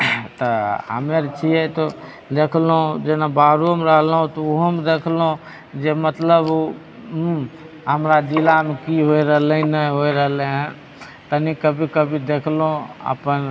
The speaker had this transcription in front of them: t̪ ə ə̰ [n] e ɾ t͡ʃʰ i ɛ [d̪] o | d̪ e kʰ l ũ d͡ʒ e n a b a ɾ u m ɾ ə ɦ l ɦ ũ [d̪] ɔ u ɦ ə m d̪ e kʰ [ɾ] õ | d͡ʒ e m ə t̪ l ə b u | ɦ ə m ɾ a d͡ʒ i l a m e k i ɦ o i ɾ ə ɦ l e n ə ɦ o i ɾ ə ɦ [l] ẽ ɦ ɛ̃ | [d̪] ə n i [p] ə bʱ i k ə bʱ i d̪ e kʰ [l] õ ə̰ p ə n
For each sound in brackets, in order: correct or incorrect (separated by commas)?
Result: incorrect, incorrect, incorrect, incorrect, correct, incorrect, incorrect, correct